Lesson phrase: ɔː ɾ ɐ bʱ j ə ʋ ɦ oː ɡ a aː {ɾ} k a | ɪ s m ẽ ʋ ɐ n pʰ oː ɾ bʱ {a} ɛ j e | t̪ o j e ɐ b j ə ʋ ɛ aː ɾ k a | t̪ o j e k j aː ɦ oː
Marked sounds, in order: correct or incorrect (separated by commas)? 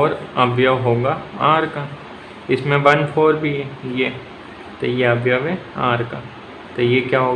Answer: correct, incorrect